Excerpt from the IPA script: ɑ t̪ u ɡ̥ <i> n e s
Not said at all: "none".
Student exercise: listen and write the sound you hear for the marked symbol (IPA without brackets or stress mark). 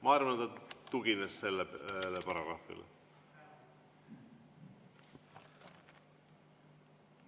i